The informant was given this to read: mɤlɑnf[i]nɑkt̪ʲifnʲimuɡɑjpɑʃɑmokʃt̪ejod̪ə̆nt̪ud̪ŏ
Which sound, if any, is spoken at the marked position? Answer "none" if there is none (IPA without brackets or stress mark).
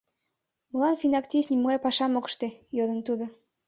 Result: i